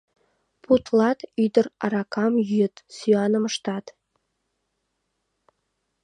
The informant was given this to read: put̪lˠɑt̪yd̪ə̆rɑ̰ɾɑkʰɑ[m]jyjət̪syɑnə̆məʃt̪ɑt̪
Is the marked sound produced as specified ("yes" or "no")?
yes